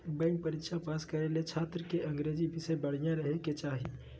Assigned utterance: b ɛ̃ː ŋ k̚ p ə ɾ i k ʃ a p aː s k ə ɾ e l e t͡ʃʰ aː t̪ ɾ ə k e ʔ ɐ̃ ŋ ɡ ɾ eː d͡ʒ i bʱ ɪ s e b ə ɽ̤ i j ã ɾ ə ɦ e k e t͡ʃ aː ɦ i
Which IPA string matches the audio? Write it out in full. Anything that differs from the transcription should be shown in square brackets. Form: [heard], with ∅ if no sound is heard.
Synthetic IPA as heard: b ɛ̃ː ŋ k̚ p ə ɾ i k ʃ a p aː s k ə ɾ e l e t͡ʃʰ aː t̪ ɾ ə k e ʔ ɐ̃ ŋ ɡ ɾ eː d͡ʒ i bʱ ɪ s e b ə ɽ̤ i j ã ɾ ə ɦ e k e t͡ʃ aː ɦ i